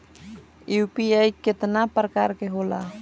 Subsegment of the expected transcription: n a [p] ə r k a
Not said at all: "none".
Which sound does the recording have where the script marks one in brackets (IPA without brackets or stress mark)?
p